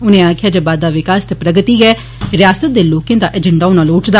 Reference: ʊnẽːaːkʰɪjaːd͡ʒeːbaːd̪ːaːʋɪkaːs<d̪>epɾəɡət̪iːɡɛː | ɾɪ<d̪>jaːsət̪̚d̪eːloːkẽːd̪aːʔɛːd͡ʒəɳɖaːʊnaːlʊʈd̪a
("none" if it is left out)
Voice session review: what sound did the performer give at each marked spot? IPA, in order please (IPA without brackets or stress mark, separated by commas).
t̪, none